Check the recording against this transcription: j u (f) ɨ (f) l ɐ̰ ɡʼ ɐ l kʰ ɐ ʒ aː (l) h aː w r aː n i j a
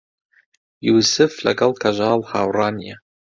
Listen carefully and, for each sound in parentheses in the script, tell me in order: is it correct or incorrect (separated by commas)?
incorrect, correct, correct